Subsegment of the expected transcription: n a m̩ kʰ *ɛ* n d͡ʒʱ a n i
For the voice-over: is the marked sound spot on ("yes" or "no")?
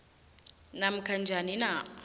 no